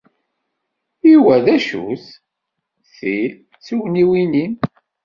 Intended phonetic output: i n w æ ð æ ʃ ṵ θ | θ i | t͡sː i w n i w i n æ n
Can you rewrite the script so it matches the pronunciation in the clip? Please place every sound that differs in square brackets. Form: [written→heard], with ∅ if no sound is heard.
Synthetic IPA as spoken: i [n→∅] w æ ð æ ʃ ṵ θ | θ i | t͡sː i w n i w i n [æ→i] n

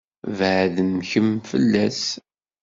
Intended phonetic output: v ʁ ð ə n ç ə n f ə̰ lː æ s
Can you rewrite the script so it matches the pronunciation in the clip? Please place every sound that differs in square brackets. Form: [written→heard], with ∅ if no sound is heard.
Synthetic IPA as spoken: v [ʁ→ʕ] ð ə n ç ə [n→m] f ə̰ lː æ s

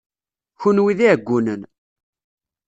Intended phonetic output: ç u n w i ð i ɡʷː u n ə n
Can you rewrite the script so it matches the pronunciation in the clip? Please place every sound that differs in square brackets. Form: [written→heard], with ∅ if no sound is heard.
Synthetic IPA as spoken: ç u n w i ð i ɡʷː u n ə n

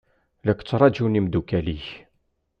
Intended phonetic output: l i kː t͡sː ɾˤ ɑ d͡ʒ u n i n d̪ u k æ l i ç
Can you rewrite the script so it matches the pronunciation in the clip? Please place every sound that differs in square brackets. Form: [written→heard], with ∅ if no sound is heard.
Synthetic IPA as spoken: l [i→æ] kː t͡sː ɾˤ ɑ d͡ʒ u n i [n→m] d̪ u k æ l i ç

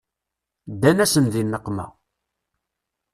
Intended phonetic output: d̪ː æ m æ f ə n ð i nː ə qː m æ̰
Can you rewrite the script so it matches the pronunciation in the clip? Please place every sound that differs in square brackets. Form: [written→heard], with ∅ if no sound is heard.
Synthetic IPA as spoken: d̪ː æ [m→n] æ [f→s] ə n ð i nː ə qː m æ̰

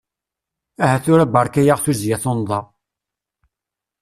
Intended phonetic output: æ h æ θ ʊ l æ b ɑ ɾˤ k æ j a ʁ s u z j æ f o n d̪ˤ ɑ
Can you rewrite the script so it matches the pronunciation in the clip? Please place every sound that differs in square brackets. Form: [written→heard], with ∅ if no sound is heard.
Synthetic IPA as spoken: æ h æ θ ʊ [l→ɾ] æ b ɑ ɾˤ k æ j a ʁ [s→θ] u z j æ [f→θ] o n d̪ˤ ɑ

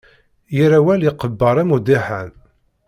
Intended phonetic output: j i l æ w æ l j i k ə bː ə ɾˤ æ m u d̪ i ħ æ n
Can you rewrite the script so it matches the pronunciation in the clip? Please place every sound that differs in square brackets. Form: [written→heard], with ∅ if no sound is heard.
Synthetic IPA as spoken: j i [l→ɾ] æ w æ l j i [k→q] ə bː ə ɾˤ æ m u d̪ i ħ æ n

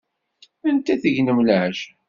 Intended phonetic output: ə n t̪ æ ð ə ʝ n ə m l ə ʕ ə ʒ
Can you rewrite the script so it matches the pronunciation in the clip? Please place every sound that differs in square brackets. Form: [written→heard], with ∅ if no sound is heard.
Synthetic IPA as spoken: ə n t̪ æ [ð→θ] ə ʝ n ə m l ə ʕ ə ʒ

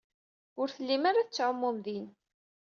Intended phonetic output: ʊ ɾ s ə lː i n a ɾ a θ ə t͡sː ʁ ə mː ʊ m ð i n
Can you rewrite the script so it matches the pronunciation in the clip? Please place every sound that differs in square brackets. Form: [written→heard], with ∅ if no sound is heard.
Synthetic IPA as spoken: ʊ ɾ [s→θ] ə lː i [n→m] a ɾ a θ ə t͡sː [ʁ→ʕ] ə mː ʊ m ð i n

